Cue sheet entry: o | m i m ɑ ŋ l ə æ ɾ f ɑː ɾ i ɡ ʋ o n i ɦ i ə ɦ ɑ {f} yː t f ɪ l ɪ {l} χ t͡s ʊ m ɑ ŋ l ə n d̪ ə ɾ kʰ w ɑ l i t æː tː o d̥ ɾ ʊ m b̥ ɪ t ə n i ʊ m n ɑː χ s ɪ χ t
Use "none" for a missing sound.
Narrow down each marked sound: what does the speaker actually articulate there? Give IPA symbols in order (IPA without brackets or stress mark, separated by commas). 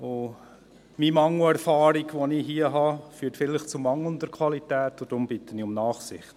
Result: f, none